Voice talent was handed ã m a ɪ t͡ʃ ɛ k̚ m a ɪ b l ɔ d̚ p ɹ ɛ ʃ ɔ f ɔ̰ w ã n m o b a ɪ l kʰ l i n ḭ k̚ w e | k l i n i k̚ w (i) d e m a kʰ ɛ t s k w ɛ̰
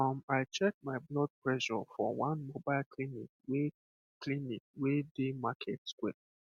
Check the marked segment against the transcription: incorrect: e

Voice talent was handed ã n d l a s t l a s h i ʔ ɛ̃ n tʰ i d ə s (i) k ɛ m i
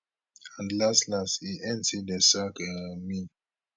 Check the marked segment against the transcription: incorrect: a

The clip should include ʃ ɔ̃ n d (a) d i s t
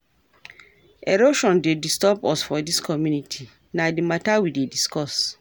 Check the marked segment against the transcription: incorrect: e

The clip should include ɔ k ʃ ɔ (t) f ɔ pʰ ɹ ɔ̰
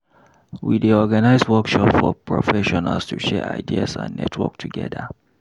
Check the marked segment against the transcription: incorrect: p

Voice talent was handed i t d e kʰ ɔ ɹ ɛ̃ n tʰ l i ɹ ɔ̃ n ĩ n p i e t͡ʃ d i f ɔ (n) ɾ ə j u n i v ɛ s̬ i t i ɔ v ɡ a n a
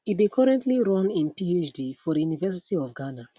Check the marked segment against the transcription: incorrect: none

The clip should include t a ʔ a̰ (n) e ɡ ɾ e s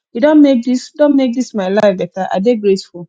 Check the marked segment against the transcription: incorrect: d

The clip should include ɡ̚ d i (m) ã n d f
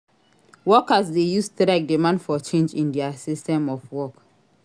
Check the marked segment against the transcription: correct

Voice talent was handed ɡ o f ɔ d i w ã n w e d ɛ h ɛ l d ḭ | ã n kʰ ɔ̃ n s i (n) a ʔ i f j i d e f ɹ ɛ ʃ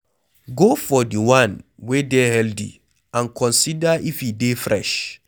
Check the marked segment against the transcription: incorrect: d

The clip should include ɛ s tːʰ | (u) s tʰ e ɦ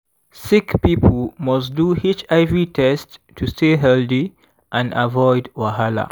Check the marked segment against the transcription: correct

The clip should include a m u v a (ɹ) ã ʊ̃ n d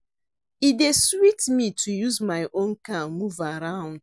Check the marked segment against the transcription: incorrect: ɾ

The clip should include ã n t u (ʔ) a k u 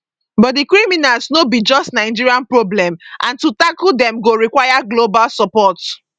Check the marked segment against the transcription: incorrect: t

